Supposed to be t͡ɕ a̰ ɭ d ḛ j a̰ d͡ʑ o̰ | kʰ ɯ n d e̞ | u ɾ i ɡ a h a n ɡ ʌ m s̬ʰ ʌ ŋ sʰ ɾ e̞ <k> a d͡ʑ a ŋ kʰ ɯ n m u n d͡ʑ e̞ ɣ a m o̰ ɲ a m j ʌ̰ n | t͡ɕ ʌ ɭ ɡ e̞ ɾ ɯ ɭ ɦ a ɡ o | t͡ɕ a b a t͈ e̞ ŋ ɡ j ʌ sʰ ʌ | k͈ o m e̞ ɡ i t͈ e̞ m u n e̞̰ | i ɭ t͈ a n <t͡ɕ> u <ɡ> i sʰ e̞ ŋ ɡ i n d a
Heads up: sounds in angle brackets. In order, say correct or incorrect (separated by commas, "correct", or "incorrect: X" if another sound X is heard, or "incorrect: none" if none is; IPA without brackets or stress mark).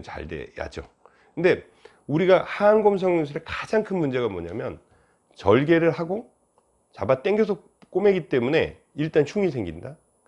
correct, incorrect: t͡ɕʰ, incorrect: ŋ